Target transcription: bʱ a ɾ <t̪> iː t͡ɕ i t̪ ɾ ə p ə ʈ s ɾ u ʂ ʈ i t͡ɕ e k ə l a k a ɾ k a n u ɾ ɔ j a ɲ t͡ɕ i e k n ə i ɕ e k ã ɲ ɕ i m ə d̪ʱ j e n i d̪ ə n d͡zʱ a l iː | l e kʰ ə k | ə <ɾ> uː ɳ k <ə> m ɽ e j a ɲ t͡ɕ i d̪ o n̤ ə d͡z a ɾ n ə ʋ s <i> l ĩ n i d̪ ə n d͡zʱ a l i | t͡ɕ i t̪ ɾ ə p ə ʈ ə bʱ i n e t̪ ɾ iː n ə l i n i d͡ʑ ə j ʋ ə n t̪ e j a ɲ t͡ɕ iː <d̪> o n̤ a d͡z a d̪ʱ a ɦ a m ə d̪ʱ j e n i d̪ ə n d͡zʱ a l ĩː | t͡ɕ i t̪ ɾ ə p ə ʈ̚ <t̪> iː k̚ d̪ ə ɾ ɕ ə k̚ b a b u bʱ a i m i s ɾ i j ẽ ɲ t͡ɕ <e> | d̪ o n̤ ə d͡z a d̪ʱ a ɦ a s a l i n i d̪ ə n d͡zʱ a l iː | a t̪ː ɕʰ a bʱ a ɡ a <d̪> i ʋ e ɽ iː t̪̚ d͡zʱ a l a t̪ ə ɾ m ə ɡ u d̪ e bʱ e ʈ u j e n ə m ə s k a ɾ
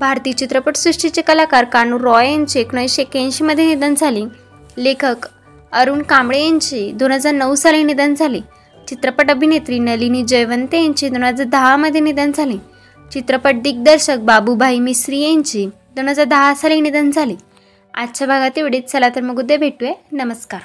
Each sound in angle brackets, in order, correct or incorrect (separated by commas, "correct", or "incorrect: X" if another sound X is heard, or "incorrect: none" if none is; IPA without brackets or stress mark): correct, correct, incorrect: a, incorrect: a, correct, incorrect: d̪, incorrect: i, incorrect: t̪